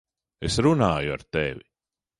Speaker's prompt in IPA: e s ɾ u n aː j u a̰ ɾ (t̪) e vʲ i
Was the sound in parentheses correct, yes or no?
yes